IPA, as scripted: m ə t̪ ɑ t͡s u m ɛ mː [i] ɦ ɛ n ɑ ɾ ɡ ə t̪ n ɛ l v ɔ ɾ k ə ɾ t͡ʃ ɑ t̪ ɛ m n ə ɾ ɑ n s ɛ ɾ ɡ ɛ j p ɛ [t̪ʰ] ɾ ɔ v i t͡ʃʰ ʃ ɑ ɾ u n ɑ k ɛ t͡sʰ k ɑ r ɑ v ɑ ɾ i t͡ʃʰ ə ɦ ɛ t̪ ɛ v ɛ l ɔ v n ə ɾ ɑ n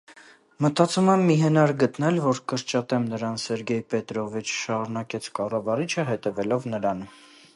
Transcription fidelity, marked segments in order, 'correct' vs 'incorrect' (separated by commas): correct, incorrect